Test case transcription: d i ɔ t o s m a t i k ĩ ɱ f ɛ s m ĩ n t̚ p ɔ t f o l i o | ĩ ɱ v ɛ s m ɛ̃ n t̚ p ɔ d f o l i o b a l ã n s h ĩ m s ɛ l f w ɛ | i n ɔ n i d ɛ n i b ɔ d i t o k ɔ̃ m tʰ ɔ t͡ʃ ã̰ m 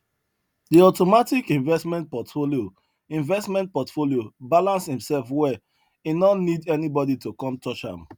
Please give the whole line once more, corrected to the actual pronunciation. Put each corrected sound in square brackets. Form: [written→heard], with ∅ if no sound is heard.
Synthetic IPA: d i ɔ t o [s→∅] m a t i k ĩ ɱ [f→v] ɛ s m [ĩ→ɛ̃] n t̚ p ɔ t f o l i o | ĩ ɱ v ɛ s m ɛ̃ n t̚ p ɔ [d→t] f o l i o b a l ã n s h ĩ m s ɛ l f w ɛ | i n ɔ n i d ɛ n i b ɔ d i t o k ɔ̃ m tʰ ɔ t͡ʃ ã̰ m